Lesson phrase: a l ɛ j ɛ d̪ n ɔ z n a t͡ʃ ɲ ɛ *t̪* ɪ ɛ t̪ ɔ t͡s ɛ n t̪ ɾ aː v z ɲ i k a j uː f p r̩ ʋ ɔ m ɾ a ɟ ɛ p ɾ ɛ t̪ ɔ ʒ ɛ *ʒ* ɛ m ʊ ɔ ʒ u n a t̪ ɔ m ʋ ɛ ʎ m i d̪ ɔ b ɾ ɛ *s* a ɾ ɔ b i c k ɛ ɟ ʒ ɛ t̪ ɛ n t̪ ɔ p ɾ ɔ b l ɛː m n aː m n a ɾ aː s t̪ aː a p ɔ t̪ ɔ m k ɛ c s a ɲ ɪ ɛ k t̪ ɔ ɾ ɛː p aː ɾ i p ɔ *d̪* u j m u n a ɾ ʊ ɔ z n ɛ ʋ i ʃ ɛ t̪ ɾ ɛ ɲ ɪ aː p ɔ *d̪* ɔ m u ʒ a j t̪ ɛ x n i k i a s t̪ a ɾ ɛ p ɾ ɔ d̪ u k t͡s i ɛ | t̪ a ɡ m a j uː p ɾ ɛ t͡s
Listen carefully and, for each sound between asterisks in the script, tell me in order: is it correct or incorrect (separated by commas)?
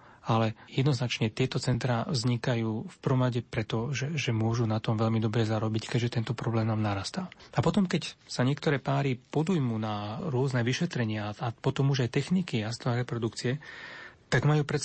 correct, correct, incorrect, correct, incorrect